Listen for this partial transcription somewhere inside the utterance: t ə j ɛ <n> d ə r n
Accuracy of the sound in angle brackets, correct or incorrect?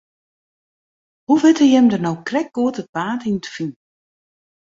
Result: incorrect